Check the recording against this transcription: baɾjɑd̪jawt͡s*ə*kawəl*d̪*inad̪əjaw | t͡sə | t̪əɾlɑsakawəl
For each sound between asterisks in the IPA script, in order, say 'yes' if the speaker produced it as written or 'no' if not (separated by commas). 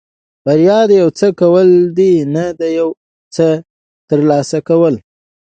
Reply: yes, yes